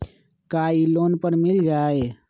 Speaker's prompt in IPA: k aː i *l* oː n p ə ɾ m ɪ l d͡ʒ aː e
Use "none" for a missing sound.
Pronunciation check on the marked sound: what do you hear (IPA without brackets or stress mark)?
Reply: l